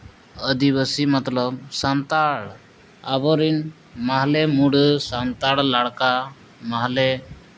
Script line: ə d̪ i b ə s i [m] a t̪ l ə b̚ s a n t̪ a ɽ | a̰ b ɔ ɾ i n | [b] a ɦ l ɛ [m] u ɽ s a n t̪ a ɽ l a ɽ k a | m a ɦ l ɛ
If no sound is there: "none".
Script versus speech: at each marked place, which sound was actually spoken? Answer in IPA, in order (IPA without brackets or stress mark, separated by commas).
m, m, m